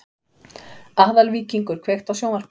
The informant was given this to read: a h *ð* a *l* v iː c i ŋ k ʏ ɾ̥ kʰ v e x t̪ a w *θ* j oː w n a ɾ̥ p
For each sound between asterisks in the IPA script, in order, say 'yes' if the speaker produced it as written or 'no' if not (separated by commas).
yes, yes, no